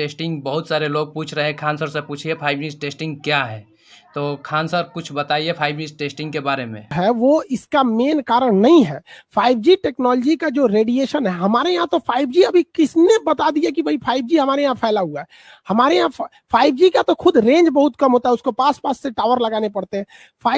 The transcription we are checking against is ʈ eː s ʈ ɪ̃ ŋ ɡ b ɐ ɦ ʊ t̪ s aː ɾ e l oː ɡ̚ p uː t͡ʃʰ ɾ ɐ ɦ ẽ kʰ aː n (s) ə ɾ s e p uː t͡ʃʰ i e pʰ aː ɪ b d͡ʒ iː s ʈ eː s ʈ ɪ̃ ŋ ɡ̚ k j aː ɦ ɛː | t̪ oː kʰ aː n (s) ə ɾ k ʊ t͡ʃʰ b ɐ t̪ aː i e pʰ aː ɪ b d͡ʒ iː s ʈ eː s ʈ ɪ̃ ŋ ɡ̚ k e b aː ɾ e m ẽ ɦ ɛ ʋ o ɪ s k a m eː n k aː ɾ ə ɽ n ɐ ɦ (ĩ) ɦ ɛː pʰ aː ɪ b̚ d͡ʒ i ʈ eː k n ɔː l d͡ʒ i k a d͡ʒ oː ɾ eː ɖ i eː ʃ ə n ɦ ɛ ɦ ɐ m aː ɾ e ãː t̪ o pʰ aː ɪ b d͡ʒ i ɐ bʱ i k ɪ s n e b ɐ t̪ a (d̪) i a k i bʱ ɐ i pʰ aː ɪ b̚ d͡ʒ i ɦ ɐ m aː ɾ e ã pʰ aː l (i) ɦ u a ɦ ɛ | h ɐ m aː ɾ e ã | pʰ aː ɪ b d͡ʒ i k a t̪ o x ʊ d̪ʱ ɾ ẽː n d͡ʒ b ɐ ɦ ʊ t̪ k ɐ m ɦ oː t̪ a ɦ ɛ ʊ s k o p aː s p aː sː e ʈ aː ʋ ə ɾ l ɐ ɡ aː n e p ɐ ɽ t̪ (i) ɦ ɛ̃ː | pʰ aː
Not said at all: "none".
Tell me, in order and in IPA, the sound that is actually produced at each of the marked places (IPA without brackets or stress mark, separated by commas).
s, s, ĩ, d̪, a, e